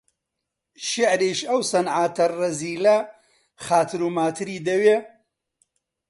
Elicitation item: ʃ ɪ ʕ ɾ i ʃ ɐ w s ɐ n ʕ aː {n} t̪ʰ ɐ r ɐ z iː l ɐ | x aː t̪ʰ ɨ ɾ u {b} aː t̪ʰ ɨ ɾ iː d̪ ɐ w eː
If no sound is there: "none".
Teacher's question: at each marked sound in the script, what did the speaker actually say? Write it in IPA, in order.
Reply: none, m

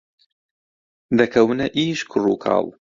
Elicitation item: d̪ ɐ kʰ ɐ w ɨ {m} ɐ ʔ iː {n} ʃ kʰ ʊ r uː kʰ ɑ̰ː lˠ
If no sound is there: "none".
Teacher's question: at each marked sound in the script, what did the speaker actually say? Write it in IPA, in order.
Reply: n, none

